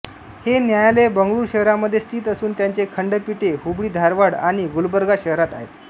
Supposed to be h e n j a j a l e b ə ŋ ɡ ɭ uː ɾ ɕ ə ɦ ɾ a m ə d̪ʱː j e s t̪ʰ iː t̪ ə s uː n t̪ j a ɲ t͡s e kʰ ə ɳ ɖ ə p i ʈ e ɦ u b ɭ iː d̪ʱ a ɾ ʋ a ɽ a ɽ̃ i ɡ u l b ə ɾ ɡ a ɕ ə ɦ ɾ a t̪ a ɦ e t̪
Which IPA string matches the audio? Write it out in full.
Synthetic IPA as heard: h e n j a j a l e b ə ŋ ɡ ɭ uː ɾ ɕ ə ɦ ɾ a m ə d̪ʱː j e s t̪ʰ iː t̪ ə s uː n t̪ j a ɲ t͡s e kʰ ə ɳ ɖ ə p i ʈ e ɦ u b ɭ iː d̪ʱ a ɾ ʋ a ɽ a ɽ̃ i ɡ u l b ə ɾ ɡ a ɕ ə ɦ ɾ a t̪ a ɦ e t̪